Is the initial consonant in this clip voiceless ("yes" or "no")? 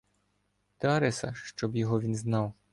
yes